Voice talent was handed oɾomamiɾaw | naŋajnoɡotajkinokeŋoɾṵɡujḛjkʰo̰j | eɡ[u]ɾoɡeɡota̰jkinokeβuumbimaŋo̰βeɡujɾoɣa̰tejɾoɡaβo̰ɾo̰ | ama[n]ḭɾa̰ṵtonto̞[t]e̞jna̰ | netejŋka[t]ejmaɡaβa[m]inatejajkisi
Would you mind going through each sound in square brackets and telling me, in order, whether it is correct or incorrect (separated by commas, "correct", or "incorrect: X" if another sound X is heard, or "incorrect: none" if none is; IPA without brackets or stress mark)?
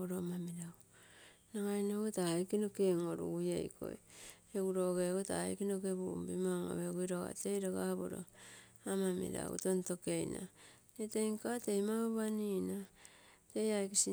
correct, incorrect: m, incorrect: k, correct, incorrect: n